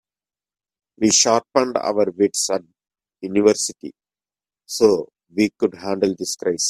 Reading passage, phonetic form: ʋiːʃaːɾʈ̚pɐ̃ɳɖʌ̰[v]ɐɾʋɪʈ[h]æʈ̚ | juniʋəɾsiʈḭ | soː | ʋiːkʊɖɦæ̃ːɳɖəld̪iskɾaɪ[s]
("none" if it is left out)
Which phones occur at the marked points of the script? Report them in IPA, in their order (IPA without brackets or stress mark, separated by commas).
ʋ, s, s